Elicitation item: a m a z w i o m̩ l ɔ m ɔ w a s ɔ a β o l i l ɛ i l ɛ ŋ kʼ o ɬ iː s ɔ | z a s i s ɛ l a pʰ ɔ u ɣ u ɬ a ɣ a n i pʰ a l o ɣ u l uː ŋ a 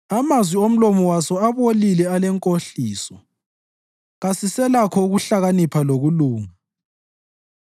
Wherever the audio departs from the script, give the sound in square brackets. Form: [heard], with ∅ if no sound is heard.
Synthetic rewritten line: a m a z w i o m̩ l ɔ m ɔ w a s ɔ a β o l i l ɛ [a] l ɛ ŋ kʼ o ɬ iː s ɔ | [ɣ] a s i s ɛ l a [kʰ] ɔ u ɣ u ɬ a ɣ a n i pʰ a l o ɣ u l uː ŋ a